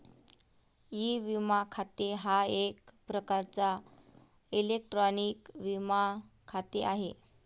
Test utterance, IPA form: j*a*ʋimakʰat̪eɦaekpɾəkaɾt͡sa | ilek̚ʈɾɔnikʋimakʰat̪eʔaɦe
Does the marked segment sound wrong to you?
yes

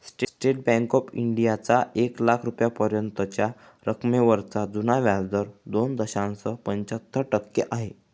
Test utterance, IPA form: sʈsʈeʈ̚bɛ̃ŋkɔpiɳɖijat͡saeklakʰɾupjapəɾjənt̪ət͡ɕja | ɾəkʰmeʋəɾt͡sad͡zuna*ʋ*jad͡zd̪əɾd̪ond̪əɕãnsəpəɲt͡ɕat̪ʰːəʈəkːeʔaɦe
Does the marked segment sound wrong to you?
no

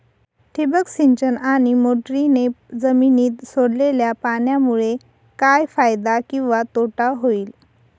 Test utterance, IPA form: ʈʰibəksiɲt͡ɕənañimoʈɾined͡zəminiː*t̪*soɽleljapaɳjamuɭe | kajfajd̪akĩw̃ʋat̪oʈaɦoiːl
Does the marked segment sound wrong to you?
no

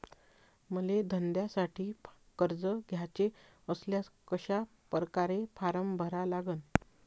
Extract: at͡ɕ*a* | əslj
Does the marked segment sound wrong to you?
yes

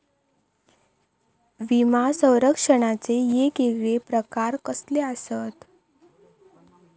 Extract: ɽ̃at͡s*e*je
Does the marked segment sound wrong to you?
no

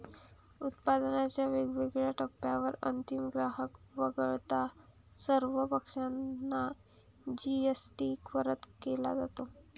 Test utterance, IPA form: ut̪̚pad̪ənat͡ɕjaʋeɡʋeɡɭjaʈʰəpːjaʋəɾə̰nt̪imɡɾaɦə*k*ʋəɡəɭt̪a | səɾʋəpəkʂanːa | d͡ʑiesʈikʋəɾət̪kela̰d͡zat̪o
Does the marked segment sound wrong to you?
no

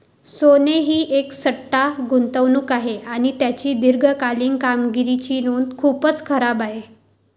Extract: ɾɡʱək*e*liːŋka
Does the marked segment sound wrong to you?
yes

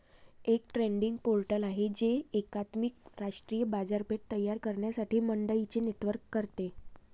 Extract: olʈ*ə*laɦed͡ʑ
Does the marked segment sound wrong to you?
no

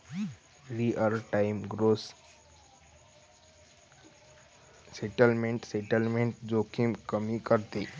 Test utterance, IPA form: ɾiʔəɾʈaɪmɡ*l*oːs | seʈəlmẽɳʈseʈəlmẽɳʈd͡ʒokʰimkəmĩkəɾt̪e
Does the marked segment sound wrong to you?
yes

